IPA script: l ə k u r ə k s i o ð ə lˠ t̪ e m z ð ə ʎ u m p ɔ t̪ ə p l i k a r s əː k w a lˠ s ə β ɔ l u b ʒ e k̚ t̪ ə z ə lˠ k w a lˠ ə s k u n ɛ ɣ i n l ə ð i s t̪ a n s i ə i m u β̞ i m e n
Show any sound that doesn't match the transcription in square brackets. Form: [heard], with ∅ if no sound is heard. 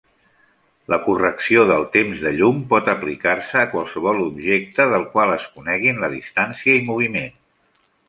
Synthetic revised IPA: l ə k u r ə k s i o ð ə lˠ t̪ e m z ð ə ʎ u m p ɔ t̪ ə p l i k a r s əː k w a lˠ s ə β ɔ l u b ʒ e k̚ t̪ ə [ð] ə lˠ k w a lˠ ə s k u n ɛ ɣ i n l ə ð i s t̪ a n s i ə i m u β̞ i m e n